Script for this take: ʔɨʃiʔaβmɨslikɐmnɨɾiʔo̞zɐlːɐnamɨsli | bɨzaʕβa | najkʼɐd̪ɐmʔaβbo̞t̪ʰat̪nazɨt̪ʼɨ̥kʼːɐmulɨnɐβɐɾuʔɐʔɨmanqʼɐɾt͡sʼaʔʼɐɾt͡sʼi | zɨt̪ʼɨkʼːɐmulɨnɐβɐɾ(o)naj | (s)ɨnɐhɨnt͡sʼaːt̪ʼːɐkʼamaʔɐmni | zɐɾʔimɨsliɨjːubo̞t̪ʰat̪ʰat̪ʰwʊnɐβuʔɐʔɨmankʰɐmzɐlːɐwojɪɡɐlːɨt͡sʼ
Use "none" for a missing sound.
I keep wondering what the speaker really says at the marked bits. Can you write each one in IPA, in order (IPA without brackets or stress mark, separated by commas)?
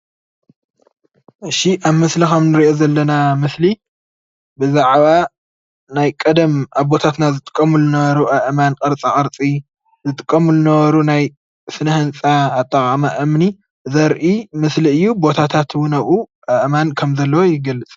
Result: u, s